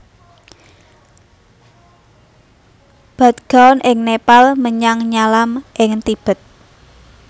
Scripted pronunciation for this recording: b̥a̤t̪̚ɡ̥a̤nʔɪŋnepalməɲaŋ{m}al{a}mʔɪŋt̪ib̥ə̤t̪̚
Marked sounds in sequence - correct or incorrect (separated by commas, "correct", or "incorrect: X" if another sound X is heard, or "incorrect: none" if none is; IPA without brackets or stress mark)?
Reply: incorrect: ɲ, correct